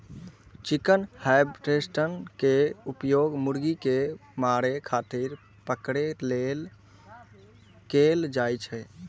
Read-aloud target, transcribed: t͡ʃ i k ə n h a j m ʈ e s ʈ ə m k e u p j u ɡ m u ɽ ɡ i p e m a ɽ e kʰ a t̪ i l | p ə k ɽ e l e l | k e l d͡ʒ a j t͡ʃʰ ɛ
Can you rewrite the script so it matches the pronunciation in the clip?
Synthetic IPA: t͡ʃ i k ə n h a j b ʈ e s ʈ ə n k e u p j o ɡ m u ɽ ɡ i k e m a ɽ e kʰ a t̪ i ɾ | p ə k ɽ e l e l | k e l d͡ʒ a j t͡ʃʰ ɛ